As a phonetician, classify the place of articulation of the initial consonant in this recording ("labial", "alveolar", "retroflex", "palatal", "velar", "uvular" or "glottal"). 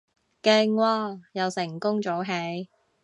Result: velar